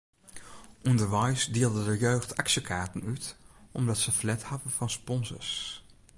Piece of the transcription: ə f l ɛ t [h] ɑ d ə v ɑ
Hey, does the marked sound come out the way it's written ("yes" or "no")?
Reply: yes